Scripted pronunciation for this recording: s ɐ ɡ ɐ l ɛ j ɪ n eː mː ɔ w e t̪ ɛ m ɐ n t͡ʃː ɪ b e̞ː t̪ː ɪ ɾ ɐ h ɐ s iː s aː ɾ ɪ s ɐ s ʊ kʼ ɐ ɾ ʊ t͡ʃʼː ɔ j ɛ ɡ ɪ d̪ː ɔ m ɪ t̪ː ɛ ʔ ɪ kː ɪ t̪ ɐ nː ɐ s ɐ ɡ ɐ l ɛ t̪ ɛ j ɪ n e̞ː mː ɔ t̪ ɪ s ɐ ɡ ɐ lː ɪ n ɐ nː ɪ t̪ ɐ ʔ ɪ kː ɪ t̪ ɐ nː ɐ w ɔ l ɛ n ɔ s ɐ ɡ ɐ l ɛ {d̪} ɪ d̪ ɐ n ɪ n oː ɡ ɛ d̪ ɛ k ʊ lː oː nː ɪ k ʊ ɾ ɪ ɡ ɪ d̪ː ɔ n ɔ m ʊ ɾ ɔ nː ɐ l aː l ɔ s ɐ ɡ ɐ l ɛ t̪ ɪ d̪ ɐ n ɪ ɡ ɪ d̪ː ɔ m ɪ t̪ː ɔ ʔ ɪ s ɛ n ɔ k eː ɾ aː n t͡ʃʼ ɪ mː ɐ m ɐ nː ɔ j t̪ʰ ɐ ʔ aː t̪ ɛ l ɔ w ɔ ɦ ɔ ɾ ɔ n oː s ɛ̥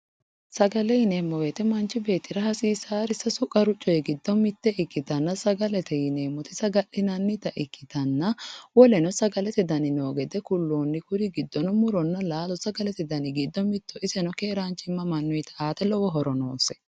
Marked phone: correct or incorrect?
incorrect